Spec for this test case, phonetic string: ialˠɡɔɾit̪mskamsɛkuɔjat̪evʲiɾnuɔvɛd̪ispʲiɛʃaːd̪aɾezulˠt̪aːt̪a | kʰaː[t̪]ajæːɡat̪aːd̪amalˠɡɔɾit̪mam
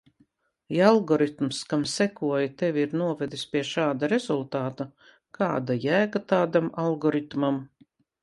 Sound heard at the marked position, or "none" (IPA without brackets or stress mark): d̪